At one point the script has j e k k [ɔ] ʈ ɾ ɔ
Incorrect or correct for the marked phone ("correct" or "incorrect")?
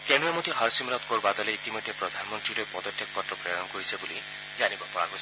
correct